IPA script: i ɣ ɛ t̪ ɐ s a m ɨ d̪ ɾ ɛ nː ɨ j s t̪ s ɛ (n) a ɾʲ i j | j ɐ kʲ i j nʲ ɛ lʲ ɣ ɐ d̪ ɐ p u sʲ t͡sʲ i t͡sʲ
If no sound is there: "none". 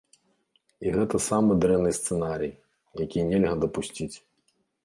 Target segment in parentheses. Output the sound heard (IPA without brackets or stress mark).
n